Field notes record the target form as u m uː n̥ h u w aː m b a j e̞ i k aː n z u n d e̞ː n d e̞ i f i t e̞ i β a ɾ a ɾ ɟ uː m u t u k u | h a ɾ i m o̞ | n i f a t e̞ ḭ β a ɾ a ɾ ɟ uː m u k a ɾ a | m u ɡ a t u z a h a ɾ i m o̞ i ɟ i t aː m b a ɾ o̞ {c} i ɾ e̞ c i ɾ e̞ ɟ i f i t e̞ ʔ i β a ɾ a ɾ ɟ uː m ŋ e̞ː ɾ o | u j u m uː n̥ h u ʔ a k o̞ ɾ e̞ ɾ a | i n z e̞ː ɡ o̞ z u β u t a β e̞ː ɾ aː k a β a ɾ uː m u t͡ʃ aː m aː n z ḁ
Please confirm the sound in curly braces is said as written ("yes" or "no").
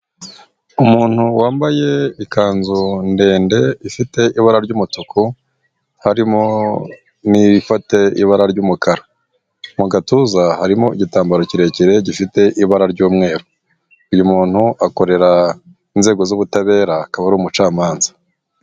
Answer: yes